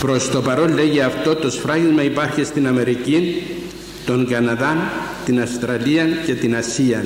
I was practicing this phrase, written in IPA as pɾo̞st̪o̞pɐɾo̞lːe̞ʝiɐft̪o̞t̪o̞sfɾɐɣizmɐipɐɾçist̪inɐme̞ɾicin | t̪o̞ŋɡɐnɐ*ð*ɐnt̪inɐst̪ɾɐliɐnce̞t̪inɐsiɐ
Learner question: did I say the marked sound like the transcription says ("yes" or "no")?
yes